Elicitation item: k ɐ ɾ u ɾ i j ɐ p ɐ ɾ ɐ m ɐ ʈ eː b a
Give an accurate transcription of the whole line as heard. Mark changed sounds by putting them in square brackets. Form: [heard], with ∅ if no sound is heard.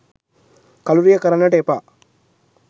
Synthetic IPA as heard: k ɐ [l] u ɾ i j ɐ [k] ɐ ɾ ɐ [n] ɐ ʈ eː [p] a